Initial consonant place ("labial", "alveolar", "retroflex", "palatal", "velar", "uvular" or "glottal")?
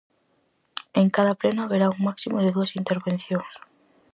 velar